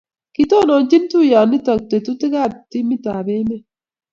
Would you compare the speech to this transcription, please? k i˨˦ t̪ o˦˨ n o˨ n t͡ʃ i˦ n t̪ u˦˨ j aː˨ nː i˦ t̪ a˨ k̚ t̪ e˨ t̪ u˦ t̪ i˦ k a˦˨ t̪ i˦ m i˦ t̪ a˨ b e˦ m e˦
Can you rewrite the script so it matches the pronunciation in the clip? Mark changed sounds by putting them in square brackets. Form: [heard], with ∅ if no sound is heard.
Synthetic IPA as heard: k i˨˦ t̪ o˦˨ n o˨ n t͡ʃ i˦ n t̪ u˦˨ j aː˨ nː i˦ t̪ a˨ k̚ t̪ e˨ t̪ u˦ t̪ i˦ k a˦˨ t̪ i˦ m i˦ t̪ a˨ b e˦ m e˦